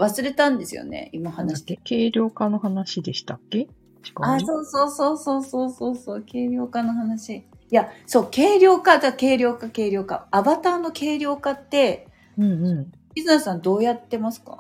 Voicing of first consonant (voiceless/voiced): voiced